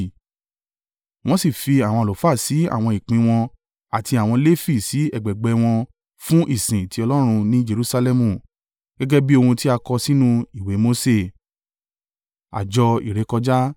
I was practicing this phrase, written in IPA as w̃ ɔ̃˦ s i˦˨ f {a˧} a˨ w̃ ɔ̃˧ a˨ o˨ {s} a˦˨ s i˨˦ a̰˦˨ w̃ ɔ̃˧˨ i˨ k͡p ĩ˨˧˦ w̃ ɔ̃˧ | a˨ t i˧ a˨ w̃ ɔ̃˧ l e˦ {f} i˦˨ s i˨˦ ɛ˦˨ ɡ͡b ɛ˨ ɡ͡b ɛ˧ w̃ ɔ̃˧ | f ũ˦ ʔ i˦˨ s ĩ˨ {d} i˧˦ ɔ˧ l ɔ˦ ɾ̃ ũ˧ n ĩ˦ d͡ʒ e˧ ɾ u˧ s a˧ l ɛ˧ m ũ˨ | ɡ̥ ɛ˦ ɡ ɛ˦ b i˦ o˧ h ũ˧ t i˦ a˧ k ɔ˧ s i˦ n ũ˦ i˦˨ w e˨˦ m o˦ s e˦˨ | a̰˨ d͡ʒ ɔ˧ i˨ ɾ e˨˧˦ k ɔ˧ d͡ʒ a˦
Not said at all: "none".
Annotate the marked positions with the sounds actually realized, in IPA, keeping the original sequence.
i˧, f, f, t

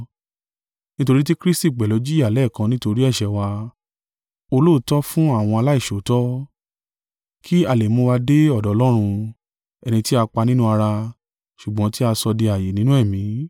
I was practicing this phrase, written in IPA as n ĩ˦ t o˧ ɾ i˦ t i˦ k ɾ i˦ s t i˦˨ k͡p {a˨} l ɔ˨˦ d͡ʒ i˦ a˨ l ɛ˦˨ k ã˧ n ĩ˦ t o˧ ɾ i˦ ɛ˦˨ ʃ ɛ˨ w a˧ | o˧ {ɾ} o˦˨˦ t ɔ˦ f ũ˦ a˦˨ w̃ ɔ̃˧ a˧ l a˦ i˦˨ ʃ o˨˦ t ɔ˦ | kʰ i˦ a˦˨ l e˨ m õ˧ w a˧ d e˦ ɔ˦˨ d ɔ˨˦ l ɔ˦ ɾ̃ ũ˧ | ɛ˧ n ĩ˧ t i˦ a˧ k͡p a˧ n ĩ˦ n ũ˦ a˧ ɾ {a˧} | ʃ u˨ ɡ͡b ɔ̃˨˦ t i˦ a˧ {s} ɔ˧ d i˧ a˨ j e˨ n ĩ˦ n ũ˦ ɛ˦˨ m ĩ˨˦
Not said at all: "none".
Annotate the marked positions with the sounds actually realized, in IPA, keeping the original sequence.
ɛ˨, l, a˧, s

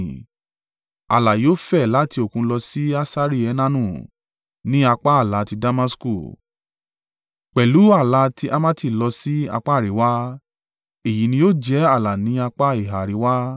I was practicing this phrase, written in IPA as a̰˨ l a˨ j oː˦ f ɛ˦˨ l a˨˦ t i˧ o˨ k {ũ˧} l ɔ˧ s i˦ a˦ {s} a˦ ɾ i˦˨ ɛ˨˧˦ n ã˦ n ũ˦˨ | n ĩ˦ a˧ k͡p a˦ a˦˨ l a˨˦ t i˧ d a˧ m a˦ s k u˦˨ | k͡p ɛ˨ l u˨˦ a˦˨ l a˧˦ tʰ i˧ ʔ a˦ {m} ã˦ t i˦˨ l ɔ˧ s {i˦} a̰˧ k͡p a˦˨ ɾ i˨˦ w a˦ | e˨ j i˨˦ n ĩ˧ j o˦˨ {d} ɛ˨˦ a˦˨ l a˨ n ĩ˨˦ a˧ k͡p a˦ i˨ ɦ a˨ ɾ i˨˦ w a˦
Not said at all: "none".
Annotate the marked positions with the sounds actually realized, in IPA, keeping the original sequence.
ũ˧, s, m, i˦, d͡ʒ

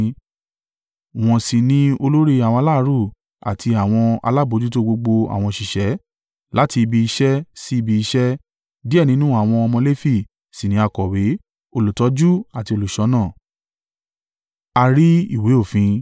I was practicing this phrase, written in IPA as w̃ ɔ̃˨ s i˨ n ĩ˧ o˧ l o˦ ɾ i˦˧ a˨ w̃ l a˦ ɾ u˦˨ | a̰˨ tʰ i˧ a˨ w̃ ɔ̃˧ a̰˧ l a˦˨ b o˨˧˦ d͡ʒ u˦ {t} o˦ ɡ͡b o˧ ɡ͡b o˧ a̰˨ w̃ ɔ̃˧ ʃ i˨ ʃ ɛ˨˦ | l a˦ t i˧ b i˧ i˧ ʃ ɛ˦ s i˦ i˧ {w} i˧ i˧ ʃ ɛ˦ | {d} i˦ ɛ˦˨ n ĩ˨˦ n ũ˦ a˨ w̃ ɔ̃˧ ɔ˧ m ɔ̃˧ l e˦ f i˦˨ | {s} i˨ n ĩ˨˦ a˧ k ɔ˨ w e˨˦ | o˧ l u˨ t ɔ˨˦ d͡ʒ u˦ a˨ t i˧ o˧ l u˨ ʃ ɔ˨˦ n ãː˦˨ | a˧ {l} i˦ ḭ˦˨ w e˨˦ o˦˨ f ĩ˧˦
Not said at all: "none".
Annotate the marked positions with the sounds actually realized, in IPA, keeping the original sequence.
t, b, d, s, ɾ

